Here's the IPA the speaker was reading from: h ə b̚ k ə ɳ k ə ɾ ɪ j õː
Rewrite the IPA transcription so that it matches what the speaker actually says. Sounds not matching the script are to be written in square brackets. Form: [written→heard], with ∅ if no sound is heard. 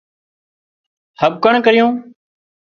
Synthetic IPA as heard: h ə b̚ k ə ɳ k ə ɾ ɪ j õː